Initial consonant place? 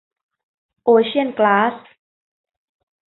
glottal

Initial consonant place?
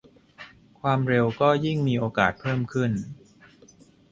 velar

